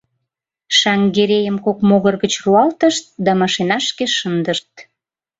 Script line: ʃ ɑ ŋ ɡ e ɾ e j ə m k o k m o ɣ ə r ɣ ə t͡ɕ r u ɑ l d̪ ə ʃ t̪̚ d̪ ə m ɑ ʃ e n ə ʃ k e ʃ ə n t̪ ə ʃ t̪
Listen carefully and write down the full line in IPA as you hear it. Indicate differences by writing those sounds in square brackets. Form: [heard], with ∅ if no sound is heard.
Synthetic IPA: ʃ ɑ ŋ ɡ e ɾ e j ə m k o k m o ɣ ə r ɣ ə t͡ɕ r u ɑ l [t̪] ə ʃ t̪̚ d̪ [ɑ] m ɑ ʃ e n [ɑ] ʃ k e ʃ ə n [d̪] ə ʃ t̪